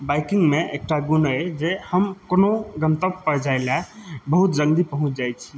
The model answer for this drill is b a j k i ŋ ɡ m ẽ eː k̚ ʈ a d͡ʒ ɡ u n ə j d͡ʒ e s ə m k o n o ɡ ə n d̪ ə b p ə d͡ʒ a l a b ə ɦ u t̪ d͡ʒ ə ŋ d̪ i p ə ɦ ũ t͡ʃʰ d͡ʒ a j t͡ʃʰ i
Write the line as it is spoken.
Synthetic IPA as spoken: b a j k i ŋ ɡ m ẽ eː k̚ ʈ a ɡ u n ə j d͡ʒ e h ə m k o n o ɡ ə n t̪ ə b p ə d͡ʒ a l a b ə ɦ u t̪ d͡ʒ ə ŋ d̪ i p ə ɦ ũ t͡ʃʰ d͡ʒ a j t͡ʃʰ i